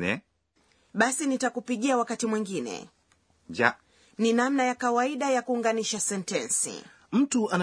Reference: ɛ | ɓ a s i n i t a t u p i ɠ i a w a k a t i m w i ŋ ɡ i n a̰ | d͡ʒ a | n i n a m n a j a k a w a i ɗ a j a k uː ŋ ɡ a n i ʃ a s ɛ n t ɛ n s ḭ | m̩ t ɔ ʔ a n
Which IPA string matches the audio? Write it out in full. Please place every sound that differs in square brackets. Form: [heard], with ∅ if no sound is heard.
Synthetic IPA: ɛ | ɓ a s i n i t a [k] u p i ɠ i a w a k a t i m w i ŋ ɡ i n [ɛ̰] | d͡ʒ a | n i n a m n a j a k a w a i ɗ a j a k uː ŋ ɡ a n i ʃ a s ɛ n t ɛ n s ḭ | m̩ t [u] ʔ a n